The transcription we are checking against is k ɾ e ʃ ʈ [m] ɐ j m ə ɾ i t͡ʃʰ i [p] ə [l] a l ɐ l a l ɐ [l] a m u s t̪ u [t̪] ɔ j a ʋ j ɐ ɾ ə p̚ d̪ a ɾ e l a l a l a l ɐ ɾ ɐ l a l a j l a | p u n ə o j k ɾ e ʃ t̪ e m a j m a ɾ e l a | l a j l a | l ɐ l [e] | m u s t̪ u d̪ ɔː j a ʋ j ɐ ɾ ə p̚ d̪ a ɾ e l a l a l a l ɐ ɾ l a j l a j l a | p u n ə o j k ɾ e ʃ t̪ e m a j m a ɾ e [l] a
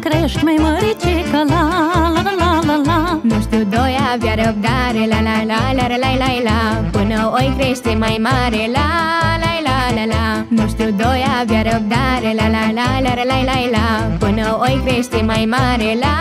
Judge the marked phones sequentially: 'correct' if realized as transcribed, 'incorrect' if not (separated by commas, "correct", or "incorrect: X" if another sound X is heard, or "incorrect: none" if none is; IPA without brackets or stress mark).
correct, incorrect: k, correct, correct, incorrect: d̪, incorrect: a, correct